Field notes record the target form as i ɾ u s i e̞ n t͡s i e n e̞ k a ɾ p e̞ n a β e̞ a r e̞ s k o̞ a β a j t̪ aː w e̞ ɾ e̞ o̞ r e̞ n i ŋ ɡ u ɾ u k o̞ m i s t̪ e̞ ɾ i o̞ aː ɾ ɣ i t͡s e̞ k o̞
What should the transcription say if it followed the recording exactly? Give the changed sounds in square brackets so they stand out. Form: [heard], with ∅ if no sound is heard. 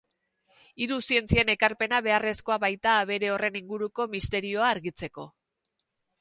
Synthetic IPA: i ɾ u s i e̞ n t͡s i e n e̞ k a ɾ p e̞ n a β e̞ a r e̞ s k o̞ a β a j t̪ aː [β] e̞ ɾ e̞ o̞ r e̞ n i ŋ ɡ u ɾ u k o̞ m i s t̪ e̞ ɾ i o̞ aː ɾ ɣ i t͡s e̞ k o̞